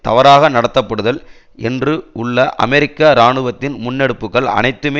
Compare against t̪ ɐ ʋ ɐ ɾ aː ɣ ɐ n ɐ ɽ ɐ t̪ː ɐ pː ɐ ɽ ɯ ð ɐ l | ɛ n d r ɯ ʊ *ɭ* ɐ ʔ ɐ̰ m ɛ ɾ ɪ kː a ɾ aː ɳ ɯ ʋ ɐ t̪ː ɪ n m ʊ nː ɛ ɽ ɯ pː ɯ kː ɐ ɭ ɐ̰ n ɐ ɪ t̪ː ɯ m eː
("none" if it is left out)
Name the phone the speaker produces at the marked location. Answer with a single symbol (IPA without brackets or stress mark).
ɭː